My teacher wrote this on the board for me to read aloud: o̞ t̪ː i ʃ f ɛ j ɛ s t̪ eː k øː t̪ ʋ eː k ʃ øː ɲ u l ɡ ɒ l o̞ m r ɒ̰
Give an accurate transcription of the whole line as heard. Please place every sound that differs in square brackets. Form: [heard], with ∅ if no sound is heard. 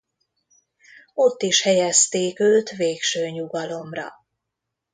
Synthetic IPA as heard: o̞ t̪ː i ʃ [h] ɛ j ɛ s t̪ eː k øː t̪ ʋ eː k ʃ øː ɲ u [∅] ɡ ɒ l o̞ m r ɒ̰